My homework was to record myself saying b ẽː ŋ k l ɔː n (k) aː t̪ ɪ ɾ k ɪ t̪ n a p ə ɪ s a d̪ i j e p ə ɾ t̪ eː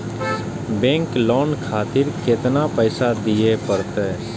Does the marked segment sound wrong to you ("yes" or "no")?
yes